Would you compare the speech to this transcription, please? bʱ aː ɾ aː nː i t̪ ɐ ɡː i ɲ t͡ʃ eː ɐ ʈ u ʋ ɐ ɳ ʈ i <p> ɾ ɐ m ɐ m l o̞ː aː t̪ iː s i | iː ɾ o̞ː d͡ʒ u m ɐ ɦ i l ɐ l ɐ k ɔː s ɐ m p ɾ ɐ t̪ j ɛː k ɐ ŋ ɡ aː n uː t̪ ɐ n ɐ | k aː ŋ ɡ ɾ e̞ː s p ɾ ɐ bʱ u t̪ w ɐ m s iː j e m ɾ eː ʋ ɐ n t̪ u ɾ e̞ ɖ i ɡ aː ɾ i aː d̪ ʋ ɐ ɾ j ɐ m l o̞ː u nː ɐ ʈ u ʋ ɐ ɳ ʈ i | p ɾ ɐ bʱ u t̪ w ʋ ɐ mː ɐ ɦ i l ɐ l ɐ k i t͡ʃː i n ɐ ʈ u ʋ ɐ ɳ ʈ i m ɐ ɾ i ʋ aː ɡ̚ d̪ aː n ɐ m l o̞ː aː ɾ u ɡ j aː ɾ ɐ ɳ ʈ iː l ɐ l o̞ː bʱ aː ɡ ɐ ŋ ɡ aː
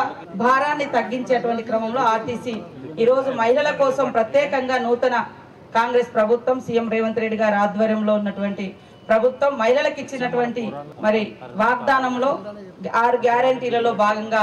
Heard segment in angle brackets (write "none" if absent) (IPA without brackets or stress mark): k